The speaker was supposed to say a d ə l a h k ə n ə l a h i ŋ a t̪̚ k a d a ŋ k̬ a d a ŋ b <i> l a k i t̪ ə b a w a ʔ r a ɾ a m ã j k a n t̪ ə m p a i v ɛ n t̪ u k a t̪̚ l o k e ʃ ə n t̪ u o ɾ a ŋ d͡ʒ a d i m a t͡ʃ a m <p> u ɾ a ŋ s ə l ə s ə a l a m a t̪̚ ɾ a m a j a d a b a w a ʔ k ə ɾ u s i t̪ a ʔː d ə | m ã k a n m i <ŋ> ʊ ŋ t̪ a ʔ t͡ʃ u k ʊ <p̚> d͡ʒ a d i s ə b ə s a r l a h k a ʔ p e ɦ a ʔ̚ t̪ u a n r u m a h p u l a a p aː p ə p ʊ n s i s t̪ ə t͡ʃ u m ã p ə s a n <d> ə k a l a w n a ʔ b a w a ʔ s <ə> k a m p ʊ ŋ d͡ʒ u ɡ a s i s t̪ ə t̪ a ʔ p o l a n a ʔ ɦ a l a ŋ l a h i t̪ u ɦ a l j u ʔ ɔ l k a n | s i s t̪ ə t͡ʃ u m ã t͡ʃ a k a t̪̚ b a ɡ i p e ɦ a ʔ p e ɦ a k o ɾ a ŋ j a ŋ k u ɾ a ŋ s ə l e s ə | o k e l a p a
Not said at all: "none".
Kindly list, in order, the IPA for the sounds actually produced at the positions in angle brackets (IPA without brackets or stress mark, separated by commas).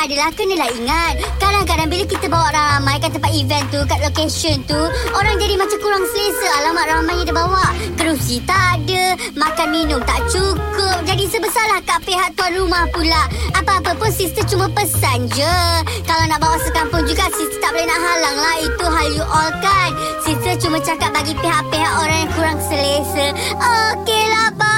i, k, n, p̚, d͡ʒ, ə